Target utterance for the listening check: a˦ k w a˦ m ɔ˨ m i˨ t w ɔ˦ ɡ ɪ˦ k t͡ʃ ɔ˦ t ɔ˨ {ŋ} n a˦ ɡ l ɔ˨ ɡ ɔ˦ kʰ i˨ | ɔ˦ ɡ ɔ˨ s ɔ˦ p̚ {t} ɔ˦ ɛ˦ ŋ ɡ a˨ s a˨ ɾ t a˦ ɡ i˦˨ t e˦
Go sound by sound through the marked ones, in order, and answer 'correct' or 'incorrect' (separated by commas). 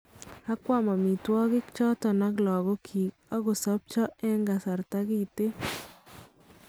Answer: incorrect, incorrect